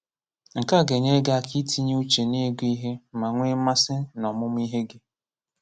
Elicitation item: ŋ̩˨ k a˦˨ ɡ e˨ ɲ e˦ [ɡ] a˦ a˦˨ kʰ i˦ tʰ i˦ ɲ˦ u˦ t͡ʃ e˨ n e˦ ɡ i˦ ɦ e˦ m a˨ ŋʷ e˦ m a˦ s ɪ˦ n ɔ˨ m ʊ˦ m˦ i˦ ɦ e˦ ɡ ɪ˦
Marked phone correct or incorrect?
correct